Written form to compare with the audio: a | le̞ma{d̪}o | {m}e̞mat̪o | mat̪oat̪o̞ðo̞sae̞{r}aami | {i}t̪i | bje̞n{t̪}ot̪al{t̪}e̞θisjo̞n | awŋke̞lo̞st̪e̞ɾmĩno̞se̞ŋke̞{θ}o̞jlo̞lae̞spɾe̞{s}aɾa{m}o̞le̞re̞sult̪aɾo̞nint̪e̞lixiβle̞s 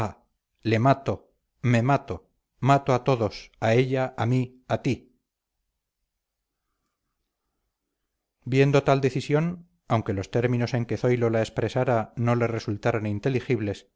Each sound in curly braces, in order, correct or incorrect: incorrect: t̪, correct, incorrect: ʎ, incorrect: a, incorrect: d̪, incorrect: d̪, correct, correct, incorrect: n

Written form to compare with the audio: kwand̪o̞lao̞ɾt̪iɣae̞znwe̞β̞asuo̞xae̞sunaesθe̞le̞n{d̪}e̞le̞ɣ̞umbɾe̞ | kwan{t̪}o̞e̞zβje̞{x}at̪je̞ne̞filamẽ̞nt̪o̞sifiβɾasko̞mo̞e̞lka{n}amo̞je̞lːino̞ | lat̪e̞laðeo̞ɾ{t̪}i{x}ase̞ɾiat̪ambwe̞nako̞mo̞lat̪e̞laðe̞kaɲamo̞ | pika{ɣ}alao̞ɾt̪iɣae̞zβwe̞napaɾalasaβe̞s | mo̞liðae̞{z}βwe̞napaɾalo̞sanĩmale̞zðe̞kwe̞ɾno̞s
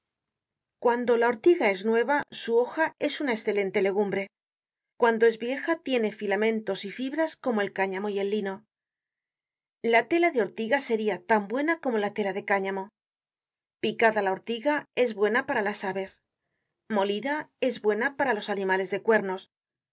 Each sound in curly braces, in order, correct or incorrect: incorrect: t̪, incorrect: d̪, correct, incorrect: ɲ, correct, incorrect: ɣ, incorrect: ð, correct

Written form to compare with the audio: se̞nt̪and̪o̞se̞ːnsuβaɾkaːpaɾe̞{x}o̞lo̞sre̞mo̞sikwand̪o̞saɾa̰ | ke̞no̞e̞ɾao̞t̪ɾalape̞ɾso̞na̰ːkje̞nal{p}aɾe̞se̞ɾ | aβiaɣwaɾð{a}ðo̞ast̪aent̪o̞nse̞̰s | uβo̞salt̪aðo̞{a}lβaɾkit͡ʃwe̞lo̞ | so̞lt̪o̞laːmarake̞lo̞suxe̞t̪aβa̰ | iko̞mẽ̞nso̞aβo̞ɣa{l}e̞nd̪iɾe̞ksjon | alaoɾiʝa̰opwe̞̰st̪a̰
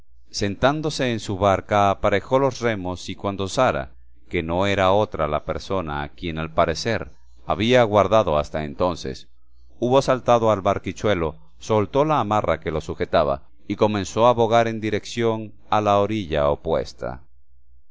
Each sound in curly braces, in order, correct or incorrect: correct, correct, correct, correct, incorrect: ɾ

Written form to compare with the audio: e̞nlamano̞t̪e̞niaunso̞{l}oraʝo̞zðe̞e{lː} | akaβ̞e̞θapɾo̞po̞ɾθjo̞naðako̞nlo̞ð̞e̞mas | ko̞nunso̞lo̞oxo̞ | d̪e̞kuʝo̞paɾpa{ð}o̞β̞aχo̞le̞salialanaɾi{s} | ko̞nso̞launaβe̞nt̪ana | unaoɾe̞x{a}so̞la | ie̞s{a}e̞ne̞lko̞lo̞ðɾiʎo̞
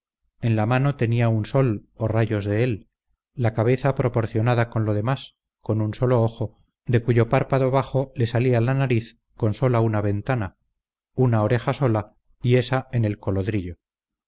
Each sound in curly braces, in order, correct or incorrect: correct, correct, correct, incorrect: θ, correct, correct

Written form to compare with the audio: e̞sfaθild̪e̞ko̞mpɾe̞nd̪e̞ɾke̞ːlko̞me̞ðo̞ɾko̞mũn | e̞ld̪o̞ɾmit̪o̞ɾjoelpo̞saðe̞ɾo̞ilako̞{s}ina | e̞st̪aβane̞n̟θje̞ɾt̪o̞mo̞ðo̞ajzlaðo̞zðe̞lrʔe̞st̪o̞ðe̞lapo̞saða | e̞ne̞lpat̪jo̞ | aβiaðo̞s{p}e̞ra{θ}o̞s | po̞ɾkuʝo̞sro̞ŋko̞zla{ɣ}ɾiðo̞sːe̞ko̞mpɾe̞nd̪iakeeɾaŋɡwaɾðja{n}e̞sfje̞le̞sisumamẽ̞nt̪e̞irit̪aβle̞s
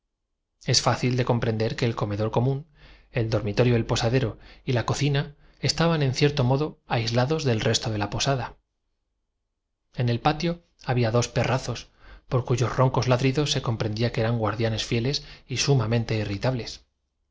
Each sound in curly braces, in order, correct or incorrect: incorrect: θ, correct, correct, incorrect: ð, correct

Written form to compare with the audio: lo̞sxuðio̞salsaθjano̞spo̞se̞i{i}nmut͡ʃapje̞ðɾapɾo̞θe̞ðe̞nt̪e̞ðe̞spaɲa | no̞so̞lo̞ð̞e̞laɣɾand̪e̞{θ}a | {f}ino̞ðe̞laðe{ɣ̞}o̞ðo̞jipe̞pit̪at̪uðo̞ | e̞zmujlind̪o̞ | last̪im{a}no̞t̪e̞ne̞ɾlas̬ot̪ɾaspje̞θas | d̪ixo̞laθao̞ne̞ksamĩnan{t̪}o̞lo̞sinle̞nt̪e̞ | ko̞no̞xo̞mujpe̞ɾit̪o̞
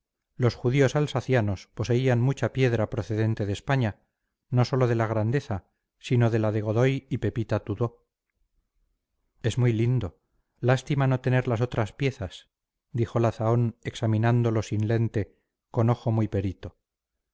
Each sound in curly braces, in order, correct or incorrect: incorrect: a, correct, incorrect: s, correct, correct, incorrect: d̪

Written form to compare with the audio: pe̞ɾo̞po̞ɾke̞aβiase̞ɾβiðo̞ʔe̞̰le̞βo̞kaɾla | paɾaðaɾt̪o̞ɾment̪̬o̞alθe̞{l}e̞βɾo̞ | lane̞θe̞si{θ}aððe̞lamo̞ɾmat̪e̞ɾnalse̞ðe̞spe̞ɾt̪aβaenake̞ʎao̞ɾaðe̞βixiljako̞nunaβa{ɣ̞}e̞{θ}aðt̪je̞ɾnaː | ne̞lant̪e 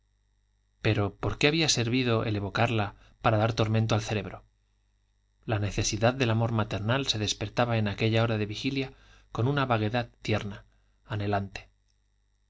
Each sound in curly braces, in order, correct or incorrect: incorrect: ɾ, incorrect: ð, correct, incorrect: ð

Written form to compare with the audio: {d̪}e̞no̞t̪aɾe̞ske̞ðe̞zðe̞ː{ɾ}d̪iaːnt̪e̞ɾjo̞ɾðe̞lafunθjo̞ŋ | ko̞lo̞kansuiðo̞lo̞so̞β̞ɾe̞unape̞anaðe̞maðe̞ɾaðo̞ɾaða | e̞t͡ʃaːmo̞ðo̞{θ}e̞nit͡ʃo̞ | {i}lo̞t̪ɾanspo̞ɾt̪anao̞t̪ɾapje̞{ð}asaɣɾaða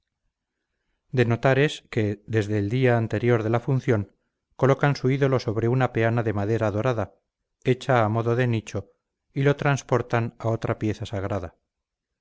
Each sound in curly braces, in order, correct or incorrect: correct, incorrect: l, incorrect: ð, correct, incorrect: θ

